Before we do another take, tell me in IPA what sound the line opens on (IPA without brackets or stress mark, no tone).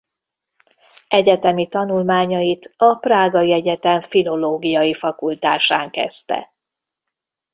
ɛ